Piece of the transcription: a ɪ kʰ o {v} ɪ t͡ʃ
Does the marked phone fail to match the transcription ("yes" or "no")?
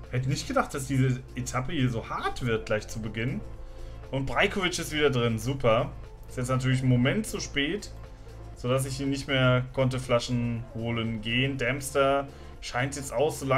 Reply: no